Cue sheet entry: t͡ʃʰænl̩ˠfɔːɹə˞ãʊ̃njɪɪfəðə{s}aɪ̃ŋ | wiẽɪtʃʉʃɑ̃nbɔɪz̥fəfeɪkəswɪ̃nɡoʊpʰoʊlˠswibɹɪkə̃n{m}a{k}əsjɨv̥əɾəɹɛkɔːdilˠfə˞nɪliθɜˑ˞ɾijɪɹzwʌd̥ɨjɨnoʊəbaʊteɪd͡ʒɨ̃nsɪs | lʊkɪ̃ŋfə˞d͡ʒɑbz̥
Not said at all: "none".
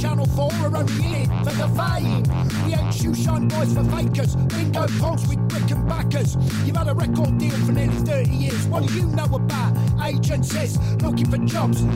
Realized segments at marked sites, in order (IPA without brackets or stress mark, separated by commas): f, b, k